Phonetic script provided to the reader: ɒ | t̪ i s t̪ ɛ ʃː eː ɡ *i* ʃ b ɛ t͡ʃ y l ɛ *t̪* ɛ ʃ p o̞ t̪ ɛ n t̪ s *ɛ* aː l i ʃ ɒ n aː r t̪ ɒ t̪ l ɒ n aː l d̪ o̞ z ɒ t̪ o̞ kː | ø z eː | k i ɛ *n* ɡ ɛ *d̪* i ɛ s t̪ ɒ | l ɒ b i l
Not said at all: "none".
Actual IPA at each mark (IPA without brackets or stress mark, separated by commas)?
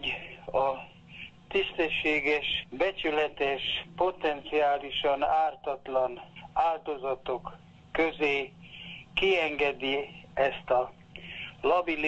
ɛ, t̪, i, ŋ, d̪